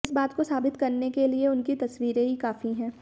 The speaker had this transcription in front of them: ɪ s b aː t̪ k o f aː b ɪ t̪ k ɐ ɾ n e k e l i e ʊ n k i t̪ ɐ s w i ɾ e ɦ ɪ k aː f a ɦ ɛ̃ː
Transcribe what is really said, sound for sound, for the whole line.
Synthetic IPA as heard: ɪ s b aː t̪ k o s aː b ɪ t̪ k ɐ ɾ n e k e l i e ʊ n k i t̪ ɐ s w iː ɾ e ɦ i k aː f i ɦ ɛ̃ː